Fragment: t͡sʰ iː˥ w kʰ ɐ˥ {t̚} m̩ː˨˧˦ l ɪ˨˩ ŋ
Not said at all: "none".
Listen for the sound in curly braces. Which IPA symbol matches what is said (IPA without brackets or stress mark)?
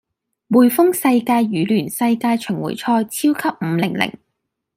p̚